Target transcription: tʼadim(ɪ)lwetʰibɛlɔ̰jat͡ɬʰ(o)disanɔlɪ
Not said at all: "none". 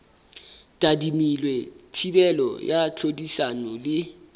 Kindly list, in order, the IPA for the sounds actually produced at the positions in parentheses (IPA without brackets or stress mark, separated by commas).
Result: i, o